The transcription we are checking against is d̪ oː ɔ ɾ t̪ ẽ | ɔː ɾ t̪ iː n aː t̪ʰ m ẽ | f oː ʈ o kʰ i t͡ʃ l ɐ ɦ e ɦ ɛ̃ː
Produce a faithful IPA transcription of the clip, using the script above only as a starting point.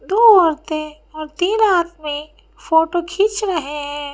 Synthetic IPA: d̪ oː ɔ ɾ t̪ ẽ | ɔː ɾ t̪ iː n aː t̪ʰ m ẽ | f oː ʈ o kʰ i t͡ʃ ɾ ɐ ɦ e ɦ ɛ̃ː